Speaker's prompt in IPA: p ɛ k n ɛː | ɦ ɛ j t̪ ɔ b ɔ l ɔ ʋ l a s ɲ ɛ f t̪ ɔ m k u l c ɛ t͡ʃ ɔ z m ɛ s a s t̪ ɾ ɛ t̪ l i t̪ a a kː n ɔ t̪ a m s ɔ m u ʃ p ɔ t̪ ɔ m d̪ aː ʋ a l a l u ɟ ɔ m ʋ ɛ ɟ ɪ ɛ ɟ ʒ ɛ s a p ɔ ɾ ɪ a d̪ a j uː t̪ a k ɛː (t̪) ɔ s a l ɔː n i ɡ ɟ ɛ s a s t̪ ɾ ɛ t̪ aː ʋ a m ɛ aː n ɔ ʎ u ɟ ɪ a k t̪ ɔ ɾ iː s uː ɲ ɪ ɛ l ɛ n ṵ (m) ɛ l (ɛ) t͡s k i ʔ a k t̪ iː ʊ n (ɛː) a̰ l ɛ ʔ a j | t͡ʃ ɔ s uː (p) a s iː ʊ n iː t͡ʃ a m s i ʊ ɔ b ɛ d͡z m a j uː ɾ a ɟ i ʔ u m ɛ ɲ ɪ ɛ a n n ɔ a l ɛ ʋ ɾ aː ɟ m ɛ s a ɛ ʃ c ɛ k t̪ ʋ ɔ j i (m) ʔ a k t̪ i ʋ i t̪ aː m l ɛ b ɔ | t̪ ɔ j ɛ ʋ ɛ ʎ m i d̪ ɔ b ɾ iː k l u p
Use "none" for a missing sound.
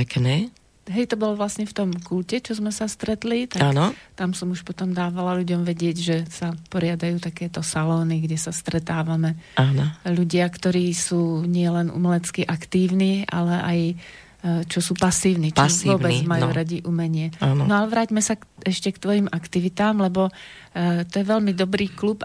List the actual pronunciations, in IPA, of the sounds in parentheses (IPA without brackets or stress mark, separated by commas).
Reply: t̪, m, ɛ, iː, p, m